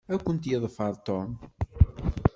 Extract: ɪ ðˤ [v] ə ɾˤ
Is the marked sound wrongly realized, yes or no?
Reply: yes